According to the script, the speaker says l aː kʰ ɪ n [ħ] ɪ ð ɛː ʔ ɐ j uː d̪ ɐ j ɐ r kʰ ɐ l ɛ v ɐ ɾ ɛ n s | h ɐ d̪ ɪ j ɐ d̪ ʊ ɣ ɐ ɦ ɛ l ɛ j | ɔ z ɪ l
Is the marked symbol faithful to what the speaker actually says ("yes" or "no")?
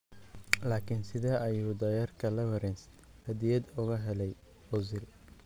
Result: no